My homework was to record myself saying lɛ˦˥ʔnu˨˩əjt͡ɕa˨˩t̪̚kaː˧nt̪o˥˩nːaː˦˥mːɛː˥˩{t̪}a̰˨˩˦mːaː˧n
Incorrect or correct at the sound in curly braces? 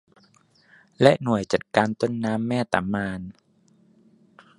correct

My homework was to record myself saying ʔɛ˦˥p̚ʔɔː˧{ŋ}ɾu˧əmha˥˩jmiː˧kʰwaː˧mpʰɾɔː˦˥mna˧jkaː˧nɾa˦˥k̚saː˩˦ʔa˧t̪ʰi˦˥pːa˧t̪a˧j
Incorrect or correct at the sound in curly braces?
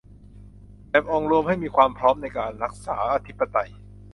correct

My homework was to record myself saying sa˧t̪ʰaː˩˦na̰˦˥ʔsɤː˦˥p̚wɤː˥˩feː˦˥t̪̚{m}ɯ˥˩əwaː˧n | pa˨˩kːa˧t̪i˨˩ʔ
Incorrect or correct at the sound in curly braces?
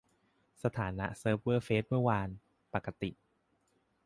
correct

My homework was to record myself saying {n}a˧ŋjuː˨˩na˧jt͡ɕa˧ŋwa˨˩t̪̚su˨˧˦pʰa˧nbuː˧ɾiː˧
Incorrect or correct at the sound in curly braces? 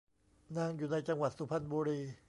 correct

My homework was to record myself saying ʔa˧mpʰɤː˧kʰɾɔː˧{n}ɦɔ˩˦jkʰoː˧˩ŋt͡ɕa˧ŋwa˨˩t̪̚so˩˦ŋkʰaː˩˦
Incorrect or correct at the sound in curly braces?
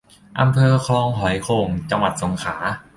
incorrect: ŋ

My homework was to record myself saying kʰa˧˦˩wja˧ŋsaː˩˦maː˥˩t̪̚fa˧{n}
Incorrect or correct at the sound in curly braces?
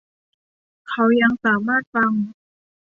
incorrect: ŋ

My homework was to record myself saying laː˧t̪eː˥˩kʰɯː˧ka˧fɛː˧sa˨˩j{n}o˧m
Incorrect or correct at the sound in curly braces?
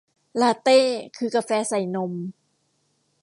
correct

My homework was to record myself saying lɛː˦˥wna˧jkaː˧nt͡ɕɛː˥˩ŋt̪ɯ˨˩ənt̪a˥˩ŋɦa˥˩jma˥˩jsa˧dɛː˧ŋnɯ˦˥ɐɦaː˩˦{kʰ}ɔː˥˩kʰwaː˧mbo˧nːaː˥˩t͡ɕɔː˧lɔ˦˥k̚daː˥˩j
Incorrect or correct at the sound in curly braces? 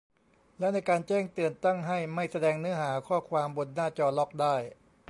correct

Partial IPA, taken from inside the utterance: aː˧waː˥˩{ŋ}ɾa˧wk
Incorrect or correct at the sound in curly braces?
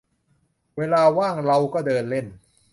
correct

